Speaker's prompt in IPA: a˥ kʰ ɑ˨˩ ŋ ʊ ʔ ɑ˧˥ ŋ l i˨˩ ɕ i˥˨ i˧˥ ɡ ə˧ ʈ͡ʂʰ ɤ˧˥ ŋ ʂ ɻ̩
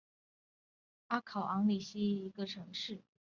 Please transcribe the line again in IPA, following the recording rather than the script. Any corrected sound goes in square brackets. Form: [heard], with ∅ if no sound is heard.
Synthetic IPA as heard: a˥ kʰ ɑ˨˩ [∅] ʊ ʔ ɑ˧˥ ŋ l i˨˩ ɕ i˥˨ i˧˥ ɡ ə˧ ʈ͡ʂʰ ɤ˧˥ ŋ ʂ ɻ̩